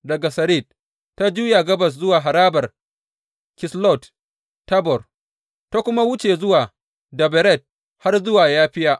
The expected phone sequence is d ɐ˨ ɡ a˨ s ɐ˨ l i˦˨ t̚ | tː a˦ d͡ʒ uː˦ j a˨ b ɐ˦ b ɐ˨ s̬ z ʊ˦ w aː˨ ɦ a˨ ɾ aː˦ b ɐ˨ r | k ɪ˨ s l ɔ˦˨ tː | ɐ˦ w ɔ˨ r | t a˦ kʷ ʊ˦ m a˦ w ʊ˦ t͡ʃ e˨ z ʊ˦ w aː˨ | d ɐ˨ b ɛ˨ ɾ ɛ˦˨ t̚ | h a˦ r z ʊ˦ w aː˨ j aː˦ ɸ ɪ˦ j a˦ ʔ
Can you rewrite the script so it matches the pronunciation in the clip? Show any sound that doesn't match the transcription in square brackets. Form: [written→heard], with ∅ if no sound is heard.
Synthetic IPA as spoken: d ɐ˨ ɡ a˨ s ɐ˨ [l→ɾ] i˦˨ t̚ | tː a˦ d͡ʒ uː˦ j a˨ [b→ɡ] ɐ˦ b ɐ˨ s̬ z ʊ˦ w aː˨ ɦ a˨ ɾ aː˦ b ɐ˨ r | k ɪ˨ s l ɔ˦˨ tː | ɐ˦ [w→b] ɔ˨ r | t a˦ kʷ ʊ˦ m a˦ w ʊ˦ t͡ʃ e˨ z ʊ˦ w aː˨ | d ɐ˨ b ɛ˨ ɾ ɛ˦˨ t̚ | h a˦ r z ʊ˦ w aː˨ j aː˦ ɸ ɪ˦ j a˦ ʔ